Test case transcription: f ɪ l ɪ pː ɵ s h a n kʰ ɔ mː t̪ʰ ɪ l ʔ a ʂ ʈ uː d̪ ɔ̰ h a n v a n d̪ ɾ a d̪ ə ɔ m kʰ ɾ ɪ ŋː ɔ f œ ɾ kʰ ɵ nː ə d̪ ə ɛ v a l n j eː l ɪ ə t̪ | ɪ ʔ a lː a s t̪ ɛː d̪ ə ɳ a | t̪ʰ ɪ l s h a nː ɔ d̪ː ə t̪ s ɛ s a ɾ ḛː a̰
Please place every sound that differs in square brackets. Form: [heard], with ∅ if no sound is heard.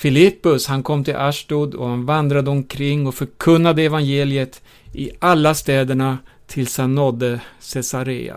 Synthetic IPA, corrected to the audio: f ɪ l ɪ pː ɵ s h a n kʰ ɔ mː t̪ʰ ɪ l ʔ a ʂ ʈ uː d̪ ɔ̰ h a n v a n d̪ ɾ a d̪ ə ɔ m kʰ ɾ ɪ ŋː ɔ f œ ɾ kʰ ɵ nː [a] d̪ ə ɛ v a [∅] n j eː l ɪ ə t̪ | ɪ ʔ a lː a s t̪ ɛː d̪ ə ɳ a | t̪ʰ ɪ l s h a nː ɔ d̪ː ə [∅] s ɛ s a ɾ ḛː a̰